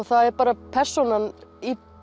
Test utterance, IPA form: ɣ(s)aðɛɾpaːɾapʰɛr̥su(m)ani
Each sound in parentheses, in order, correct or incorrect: incorrect: θ, incorrect: n

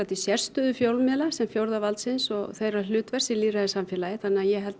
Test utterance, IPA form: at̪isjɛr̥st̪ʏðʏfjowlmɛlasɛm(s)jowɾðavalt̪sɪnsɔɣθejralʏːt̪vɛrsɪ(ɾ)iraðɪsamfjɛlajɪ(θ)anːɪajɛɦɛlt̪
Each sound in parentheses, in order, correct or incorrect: incorrect: f, incorrect: l, correct

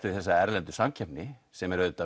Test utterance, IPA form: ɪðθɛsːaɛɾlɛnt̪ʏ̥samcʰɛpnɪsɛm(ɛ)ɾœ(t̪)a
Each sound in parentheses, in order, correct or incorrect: correct, correct

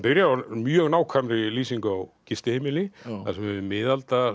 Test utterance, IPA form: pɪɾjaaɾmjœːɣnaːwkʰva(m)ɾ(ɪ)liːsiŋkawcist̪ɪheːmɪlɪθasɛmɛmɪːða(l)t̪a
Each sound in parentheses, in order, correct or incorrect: correct, correct, correct

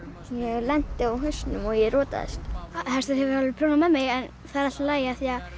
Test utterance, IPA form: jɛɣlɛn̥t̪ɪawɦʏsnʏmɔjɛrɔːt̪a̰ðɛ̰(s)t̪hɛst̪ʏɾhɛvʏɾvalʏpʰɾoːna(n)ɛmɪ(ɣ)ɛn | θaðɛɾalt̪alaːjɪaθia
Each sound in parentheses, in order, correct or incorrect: correct, incorrect: m, correct

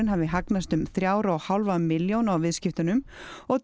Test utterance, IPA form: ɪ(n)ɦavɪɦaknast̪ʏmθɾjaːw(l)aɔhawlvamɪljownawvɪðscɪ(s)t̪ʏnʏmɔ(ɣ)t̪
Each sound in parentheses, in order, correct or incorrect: correct, incorrect: ɾ, incorrect: f, correct

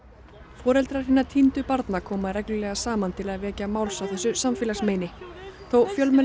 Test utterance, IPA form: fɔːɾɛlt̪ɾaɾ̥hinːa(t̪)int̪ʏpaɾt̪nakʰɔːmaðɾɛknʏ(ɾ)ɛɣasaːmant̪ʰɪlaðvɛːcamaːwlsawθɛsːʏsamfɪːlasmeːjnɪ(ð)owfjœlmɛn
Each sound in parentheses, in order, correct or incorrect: incorrect: t̪ʰ, incorrect: l, incorrect: θ

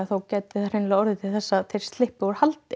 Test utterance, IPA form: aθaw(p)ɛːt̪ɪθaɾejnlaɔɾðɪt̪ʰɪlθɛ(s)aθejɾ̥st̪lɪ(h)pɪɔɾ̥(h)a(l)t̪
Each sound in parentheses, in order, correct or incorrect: incorrect: c, incorrect: sː, correct, correct, correct

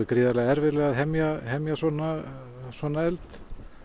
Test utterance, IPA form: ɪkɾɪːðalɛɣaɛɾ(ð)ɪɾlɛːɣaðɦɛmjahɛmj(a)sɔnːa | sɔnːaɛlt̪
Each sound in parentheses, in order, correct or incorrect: incorrect: v, correct

